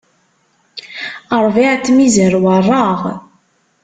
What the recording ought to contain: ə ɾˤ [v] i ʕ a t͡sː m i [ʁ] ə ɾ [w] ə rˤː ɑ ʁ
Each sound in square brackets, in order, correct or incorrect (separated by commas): correct, incorrect, correct